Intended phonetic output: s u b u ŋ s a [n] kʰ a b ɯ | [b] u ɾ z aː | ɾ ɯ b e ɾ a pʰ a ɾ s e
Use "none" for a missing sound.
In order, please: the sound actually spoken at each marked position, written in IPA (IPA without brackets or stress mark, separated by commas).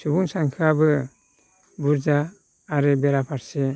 ŋ, b